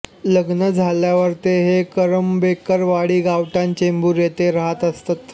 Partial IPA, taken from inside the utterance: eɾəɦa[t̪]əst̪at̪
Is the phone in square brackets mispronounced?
no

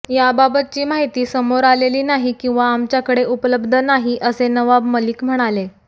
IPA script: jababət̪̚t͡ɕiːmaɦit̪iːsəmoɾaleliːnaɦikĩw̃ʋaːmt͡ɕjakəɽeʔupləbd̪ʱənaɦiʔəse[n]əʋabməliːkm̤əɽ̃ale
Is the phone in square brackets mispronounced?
no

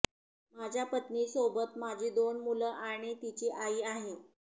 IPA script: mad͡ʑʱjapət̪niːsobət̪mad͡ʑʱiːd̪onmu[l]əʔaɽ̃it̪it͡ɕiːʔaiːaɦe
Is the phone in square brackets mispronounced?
no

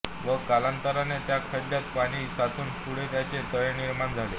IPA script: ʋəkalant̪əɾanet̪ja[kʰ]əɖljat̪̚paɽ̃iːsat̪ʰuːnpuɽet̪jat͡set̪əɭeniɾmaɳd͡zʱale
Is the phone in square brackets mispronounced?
no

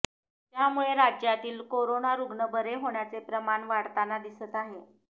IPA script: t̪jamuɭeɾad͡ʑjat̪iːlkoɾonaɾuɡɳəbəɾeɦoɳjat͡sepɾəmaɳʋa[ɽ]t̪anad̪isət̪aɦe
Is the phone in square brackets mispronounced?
no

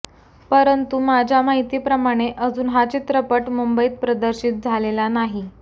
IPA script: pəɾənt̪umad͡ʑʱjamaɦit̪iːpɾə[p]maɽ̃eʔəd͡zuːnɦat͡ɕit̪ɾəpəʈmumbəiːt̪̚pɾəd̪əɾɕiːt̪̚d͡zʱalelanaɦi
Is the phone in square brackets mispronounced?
yes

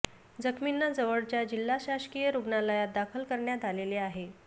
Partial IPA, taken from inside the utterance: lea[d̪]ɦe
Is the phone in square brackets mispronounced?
yes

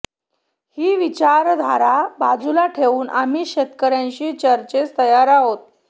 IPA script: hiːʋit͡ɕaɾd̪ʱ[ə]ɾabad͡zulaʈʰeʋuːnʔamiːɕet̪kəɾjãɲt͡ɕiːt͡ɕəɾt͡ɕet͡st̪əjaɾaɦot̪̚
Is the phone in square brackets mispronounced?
yes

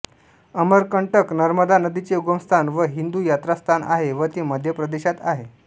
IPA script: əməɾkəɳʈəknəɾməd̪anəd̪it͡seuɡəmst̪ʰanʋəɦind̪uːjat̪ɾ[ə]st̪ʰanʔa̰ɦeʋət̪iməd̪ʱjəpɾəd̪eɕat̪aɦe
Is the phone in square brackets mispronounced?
yes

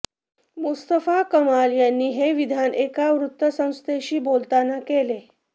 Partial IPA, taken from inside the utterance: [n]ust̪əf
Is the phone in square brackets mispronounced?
yes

